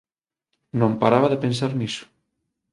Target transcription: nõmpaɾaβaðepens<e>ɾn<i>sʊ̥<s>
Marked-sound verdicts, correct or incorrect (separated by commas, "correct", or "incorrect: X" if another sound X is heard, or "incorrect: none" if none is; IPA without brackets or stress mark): incorrect: a, correct, incorrect: none